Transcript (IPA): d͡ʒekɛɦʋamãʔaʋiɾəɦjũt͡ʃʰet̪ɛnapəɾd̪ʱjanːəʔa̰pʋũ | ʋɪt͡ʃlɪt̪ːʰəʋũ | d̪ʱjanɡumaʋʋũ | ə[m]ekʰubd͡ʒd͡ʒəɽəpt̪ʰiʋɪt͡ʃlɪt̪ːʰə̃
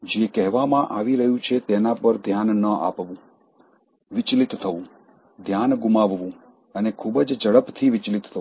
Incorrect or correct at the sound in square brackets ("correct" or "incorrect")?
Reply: incorrect